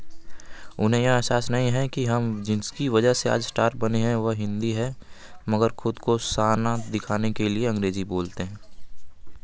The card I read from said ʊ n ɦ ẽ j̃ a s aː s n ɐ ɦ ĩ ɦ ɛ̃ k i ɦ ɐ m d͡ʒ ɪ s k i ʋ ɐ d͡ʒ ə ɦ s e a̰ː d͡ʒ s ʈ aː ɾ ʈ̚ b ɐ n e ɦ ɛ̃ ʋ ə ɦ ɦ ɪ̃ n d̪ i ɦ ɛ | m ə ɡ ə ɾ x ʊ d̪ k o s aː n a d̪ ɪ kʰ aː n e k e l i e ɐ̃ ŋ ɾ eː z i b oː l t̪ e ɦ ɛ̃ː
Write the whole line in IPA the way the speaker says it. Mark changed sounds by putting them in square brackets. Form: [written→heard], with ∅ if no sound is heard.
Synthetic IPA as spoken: ʊ n ɦ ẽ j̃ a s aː s n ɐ ɦ ĩ ɦ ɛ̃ k i ɦ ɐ m d͡ʒ ɪ s k i ʋ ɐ d͡ʒ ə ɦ s e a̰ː d͡ʒ s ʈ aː ɾ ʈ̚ b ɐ n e ɦ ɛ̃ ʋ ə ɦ ɦ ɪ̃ n d̪ i ɦ ɛ | m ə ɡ ə ɾ x ʊ d̪ k o s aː n a d̪ ɪ kʰ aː n e k e l i e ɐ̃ ŋ ɾ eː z i b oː l t̪ e ɦ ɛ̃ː